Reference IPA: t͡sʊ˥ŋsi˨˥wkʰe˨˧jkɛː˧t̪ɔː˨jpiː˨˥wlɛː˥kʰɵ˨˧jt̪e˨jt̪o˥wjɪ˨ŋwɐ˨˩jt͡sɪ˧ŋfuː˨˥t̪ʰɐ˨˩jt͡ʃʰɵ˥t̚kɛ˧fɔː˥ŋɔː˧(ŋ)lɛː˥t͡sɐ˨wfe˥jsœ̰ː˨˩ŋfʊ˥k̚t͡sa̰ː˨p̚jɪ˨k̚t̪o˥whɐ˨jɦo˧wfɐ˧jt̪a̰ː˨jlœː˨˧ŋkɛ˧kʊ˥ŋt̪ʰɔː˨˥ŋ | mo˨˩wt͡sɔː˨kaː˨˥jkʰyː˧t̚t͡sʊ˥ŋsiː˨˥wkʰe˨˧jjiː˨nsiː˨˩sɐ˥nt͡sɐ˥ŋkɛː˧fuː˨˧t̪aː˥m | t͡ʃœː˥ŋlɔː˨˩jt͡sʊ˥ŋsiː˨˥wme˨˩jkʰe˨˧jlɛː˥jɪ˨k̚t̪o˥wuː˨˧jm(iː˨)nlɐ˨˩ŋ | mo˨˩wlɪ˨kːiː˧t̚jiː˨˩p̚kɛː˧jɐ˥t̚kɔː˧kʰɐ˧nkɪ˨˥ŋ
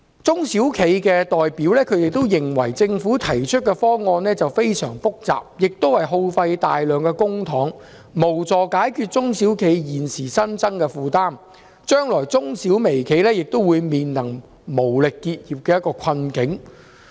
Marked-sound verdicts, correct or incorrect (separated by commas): incorrect, correct